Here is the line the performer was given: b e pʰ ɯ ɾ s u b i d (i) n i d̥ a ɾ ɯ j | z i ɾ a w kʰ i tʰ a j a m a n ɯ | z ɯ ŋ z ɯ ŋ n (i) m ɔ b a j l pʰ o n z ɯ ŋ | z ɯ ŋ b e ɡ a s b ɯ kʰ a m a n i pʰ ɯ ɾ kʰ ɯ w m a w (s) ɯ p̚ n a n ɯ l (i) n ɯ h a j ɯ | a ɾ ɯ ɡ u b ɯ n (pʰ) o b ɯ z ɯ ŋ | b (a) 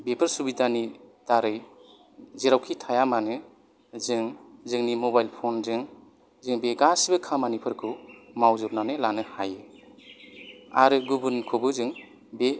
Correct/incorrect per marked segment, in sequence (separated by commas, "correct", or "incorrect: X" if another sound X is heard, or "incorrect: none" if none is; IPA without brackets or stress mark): incorrect: a, correct, incorrect: z, incorrect: a, incorrect: kʰ, incorrect: e